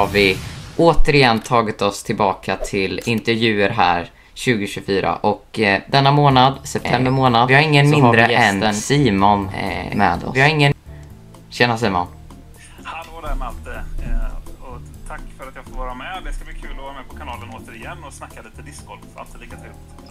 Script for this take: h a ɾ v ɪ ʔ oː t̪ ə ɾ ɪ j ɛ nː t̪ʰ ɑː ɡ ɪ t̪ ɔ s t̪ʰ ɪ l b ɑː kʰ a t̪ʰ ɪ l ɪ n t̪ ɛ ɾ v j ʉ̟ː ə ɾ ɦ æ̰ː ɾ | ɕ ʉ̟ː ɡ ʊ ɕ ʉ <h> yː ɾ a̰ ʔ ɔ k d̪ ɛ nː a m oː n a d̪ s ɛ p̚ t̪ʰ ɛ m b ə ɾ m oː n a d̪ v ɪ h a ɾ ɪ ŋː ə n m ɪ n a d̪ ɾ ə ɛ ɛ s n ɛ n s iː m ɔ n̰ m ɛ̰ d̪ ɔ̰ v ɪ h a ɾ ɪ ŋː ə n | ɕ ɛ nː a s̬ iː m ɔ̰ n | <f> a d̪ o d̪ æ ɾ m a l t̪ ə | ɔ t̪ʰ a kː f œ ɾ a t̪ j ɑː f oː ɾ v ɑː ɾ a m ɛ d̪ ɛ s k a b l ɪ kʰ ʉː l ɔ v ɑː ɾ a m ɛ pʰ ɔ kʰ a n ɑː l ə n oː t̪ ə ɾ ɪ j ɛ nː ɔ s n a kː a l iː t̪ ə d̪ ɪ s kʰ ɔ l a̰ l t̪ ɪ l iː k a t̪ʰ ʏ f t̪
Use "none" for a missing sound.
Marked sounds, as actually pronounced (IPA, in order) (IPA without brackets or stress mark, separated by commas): f, h